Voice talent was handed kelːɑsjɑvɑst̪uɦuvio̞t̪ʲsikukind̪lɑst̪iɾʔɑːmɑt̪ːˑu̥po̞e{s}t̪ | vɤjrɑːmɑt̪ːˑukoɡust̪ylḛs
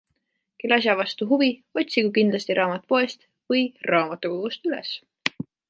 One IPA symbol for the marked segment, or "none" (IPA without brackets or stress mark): s